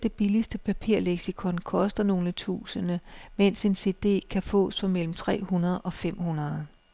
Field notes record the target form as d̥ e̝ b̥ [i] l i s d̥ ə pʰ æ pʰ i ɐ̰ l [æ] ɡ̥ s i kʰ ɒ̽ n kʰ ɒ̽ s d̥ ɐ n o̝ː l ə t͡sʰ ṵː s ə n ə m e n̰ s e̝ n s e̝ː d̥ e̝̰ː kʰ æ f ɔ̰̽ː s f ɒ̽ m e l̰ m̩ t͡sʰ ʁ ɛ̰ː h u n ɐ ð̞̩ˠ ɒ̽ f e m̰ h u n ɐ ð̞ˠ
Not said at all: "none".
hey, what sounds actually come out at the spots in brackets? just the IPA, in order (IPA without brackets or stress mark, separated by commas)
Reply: i, e